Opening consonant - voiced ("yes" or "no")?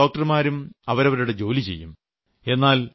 no